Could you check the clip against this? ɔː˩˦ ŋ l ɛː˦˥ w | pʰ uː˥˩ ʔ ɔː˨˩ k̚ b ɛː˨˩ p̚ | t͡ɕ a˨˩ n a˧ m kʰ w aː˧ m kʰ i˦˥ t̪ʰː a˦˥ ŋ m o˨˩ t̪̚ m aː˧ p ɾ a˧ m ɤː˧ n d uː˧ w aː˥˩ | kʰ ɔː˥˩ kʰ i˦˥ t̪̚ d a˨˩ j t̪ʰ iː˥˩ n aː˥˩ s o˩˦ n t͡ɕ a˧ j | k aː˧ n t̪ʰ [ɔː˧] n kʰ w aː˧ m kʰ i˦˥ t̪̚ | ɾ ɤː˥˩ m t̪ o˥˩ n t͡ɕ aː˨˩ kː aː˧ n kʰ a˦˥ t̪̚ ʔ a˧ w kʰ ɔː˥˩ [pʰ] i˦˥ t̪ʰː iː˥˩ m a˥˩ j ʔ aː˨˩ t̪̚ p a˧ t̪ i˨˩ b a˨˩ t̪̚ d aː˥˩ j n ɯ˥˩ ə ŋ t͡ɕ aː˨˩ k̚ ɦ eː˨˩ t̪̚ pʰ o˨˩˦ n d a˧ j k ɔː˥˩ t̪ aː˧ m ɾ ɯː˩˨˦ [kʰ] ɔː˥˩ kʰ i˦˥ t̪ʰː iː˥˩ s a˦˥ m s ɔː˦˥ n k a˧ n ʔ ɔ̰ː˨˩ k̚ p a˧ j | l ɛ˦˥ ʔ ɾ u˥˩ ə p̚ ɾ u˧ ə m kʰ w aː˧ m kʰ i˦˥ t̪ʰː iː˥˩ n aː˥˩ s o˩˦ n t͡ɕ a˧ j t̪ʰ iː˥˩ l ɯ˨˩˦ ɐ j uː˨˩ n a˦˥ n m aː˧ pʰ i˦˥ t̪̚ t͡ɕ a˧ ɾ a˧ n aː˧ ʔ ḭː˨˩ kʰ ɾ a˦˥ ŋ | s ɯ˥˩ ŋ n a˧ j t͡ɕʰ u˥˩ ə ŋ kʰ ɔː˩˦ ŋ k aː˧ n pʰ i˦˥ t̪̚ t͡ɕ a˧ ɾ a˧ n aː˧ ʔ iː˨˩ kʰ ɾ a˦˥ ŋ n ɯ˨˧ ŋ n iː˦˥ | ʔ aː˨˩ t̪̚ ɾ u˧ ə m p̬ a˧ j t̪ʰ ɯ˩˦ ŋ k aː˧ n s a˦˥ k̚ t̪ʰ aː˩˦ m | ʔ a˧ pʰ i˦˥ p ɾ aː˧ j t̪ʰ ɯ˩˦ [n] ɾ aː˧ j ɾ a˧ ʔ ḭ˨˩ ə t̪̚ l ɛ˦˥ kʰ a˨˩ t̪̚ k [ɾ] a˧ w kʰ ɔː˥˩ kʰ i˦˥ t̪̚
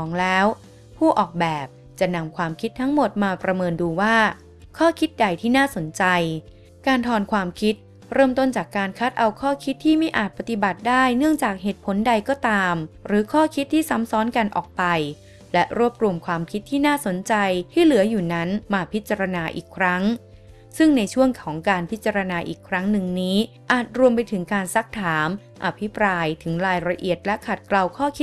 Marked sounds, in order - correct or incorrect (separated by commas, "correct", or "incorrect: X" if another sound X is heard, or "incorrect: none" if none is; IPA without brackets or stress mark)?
correct, incorrect: kʰ, correct, incorrect: ŋ, incorrect: l